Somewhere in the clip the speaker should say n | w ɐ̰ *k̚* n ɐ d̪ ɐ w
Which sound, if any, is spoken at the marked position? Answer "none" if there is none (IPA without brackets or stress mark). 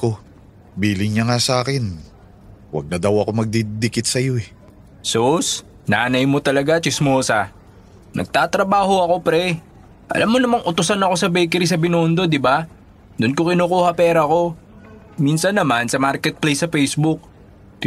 ɡ̚